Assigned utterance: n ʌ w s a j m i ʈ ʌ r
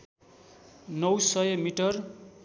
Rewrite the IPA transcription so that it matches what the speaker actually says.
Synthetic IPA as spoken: n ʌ w s ʌ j m i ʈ ʌ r